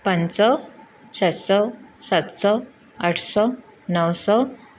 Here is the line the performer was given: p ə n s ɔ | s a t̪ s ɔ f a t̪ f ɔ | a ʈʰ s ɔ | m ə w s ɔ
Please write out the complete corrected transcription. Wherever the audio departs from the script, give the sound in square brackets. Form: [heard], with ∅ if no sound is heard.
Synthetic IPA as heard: p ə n s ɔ | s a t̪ s ɔ [s] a t̪ [s] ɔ | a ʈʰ s ɔ | [n] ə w s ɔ